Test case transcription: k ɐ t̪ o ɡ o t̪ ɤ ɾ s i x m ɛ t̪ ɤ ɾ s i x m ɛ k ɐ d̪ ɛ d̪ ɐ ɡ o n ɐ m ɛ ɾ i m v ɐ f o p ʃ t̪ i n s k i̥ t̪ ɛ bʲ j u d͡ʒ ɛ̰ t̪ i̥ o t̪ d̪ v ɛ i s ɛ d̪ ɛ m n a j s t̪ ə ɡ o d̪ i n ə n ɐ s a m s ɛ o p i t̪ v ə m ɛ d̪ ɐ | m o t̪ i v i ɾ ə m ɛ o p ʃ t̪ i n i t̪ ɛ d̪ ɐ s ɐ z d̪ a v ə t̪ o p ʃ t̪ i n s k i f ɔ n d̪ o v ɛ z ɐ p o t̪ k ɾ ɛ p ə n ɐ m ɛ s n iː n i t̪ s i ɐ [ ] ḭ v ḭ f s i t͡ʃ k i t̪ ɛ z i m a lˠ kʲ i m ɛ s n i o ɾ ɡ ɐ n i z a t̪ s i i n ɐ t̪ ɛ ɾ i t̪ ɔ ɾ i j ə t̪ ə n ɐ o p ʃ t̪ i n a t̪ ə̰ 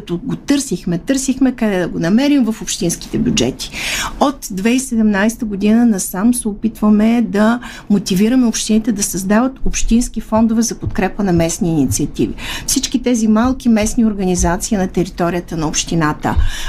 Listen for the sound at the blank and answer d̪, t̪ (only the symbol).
t̪